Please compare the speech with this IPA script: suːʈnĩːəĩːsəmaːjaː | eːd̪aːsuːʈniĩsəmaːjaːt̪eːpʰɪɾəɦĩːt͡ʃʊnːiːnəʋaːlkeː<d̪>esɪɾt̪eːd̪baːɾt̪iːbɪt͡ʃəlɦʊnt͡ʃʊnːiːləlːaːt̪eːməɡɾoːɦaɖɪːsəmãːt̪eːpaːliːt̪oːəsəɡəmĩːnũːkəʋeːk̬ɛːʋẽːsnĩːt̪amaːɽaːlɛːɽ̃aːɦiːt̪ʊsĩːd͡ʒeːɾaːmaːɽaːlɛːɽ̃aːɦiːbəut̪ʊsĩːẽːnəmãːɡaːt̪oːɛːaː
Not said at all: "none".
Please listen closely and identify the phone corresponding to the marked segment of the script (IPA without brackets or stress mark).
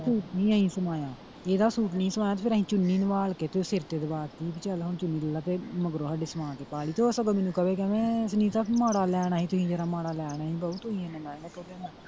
t̪